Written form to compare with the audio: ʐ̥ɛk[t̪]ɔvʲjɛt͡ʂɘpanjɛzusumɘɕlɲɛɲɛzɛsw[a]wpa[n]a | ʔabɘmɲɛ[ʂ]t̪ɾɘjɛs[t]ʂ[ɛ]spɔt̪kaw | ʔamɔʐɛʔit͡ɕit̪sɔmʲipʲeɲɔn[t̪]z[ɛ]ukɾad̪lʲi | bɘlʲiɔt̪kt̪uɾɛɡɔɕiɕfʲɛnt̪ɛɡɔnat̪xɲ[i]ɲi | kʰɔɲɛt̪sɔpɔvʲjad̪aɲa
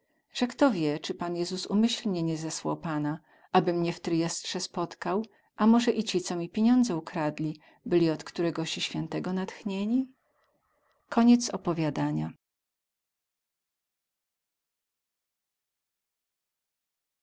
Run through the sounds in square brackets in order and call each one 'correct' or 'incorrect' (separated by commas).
correct, correct, correct, incorrect, correct, correct, incorrect, correct, incorrect